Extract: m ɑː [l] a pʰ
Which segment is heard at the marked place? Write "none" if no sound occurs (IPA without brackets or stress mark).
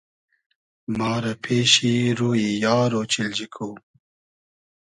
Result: ɾ